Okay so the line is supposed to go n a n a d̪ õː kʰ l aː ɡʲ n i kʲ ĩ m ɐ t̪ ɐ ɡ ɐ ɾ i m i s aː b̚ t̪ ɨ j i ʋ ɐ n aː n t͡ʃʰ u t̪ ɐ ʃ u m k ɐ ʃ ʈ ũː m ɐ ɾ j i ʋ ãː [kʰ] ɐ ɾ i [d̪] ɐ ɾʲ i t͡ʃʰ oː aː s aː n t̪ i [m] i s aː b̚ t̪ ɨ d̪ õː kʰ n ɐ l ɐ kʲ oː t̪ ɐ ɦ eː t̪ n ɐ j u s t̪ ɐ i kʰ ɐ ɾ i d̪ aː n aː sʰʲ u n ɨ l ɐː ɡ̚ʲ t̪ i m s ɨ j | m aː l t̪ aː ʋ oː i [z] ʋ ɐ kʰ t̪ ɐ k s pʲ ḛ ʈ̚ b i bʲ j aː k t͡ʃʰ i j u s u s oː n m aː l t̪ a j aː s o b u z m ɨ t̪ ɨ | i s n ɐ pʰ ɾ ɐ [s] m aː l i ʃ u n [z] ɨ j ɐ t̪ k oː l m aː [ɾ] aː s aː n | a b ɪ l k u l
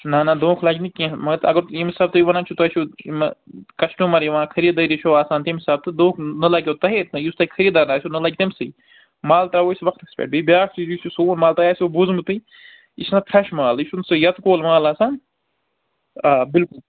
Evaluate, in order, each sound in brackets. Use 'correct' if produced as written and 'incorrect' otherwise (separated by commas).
correct, correct, correct, incorrect, incorrect, incorrect, incorrect